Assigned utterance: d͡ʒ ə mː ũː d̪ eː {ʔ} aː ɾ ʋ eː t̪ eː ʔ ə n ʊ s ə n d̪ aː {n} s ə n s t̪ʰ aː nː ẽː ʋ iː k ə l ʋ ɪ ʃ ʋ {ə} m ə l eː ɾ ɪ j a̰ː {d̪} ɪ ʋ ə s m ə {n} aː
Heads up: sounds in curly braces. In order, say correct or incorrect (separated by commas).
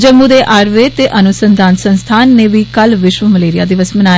correct, correct, correct, correct, correct